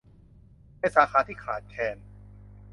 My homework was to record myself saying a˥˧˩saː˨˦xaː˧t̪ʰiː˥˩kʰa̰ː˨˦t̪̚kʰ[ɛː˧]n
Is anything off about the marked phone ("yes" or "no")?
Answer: no